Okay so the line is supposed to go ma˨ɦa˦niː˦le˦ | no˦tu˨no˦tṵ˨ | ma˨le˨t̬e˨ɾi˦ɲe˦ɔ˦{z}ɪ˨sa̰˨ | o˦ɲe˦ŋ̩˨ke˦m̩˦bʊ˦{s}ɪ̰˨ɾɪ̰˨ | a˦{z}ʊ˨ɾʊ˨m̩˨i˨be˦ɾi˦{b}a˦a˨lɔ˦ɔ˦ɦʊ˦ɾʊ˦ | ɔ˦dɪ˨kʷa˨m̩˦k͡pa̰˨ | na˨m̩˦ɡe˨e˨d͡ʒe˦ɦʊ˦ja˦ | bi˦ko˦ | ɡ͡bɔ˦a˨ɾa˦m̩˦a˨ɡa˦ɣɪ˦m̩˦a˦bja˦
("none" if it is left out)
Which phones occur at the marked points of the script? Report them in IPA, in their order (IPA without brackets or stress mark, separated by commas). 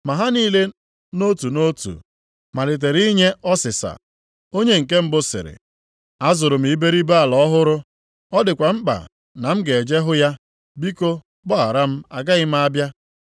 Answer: s, s, z, b